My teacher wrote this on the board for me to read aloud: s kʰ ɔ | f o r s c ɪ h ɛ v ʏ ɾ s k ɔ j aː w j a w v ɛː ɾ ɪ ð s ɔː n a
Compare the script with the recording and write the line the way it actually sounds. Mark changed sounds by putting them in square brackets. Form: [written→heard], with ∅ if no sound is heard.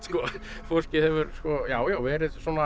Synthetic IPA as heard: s [kʰ→k] ɔ | f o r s c ɪ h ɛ v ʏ ɾ s k ɔ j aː w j a w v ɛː ɾ ɪ ð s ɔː n a

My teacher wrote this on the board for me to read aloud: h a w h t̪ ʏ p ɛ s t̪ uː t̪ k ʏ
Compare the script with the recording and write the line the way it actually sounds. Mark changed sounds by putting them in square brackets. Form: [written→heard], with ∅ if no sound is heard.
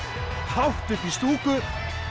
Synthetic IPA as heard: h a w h t̪ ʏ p [ɛ→i] s t̪ uː [t̪→∅] k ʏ

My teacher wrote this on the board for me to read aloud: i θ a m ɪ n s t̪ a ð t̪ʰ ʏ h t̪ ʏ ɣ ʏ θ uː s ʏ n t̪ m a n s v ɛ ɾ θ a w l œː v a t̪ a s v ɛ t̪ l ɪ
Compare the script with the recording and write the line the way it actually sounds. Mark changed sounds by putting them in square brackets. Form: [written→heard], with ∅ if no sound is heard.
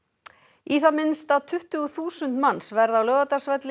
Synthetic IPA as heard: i θ a m ɪ n s t̪ a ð t̪ʰ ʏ h t̪ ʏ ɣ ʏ θ uː s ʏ n t̪ m a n s v ɛ ɾ [θ→ð] a w l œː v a t̪ a s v ɛ t̪ l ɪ

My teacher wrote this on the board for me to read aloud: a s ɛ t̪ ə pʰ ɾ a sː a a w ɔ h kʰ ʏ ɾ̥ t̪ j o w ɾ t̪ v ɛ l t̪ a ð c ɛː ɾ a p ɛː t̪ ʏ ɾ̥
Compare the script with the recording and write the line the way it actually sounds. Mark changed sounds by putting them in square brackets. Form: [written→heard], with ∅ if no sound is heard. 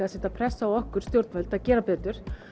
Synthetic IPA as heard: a s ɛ t̪ [ə→a] pʰ ɾ [a→ɛ] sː a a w ɔ h [kʰ→k] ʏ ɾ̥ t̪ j o w ɾ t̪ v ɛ l t̪ a ð c ɛː ɾ a p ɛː t̪ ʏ ɾ̥

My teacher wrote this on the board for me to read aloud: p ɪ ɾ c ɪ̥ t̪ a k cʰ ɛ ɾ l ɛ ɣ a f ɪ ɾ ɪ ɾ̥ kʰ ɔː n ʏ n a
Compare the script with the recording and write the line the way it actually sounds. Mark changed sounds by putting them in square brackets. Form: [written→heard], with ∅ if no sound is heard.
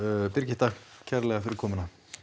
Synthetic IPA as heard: p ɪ ɾ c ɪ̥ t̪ a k cʰ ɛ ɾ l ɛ ɣ a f ɪ ɾ ɪ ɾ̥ kʰ ɔː [n→m] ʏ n a

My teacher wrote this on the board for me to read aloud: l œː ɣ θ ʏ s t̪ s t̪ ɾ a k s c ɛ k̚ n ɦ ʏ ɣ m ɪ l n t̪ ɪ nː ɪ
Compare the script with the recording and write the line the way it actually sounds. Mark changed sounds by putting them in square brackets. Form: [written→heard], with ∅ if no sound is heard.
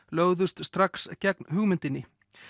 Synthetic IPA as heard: l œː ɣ [θ→ð] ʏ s t̪ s t̪ ɾ a k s c ɛ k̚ n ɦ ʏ ɣ m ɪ [l→∅] n t̪ ɪ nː ɪ

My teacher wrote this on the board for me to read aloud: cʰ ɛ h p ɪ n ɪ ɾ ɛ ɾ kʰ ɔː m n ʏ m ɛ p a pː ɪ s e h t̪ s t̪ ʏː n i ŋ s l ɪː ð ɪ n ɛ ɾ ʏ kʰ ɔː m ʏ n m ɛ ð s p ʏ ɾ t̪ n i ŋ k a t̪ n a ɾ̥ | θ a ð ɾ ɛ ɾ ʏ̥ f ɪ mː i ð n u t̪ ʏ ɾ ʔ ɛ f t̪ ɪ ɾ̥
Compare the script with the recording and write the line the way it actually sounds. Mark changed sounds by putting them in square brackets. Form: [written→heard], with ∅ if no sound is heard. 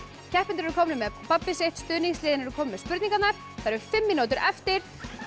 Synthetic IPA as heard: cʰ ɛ h p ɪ n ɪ ɾ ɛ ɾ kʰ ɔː m n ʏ m ɛ p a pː ɪ s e h t̪ s t̪ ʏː n i ŋ s l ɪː ð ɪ n ɛ ɾ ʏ kʰ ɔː m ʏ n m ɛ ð s p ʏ ɾ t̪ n i ŋ k a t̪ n a ɾ̥ | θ a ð ɾ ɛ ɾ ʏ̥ f ɪ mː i [ð→∅] n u t̪ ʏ ɾ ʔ ɛ f t̪ ɪ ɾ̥

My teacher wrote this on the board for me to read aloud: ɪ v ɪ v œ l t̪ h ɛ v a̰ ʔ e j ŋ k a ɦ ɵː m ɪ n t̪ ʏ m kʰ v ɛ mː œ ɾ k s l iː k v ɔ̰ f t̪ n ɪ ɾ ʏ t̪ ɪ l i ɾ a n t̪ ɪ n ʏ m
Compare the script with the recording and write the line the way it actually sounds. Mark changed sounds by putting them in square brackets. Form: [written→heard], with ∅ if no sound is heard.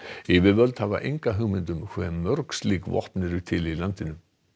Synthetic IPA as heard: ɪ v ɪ v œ l t̪ h [ɛ→a] v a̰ ʔ e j ŋ k a ɦ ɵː m ɪ n t̪ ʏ m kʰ v ɛ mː œ ɾ k s l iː k v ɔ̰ [f→h] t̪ n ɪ ɾ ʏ [t̪→t̪ʰ] ɪ l i [ɾ→l] a n t̪ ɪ n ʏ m

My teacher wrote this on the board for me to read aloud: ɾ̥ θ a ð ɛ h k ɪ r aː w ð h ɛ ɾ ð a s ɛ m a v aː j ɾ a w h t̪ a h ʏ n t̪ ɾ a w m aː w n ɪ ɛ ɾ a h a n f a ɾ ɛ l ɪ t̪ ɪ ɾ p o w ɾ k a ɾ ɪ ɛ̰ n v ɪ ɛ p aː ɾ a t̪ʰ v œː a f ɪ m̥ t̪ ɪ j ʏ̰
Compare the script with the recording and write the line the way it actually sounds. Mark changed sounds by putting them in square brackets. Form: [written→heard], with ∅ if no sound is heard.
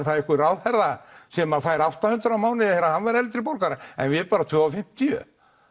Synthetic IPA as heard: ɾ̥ θ a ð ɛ h k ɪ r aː w ð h ɛ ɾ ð a s ɛ m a [v→f] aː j ɾ a w h t̪ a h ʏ n t̪ ɾ a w m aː w n ɪ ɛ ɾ a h a n [f→v] a ɾ ɛ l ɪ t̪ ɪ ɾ p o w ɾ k a ɾ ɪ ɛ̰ n v ɪ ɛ p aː ɾ a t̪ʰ v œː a f ɪ m̥ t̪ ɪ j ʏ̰

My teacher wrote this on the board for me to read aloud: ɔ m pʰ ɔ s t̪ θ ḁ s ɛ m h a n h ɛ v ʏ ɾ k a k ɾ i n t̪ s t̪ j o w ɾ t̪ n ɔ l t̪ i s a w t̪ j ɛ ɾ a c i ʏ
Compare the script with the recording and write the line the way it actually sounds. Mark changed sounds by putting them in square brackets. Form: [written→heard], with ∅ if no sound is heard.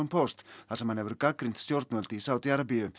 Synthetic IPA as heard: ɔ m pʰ ɔ s t̪ θ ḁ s ɛ m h a n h ɛ v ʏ ɾ k a k ɾ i n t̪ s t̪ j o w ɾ t̪ n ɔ l t̪ i s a w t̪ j [ɛ→a] ɾ a [c→p] i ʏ

